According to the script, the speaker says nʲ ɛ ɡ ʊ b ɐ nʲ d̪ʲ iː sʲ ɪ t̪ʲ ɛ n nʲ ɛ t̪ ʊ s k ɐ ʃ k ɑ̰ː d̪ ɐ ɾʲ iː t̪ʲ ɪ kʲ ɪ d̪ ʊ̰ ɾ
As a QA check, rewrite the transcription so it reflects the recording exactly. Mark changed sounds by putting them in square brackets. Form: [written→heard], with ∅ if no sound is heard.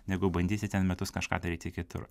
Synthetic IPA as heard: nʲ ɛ ɡ ʊ b ɐ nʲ d̪ʲ iː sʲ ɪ t̪ʲ ɛ n [nʲ→mʲ] ɛ t̪ ʊ s k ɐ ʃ k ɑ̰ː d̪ ɐ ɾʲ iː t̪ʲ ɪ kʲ ɪ [d̪→t̪] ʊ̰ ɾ